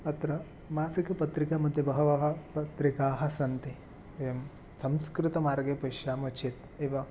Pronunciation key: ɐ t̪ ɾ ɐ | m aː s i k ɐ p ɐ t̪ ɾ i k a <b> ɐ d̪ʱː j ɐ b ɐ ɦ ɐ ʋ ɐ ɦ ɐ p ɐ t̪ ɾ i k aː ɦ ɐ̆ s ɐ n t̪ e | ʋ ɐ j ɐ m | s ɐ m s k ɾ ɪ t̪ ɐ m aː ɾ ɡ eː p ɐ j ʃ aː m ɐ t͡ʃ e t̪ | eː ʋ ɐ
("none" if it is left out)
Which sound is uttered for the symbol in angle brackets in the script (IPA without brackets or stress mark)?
m